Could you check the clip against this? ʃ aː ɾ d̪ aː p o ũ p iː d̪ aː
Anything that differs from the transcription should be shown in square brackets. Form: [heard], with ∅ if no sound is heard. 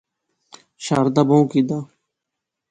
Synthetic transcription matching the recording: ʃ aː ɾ d̪ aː [b] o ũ [k] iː d̪ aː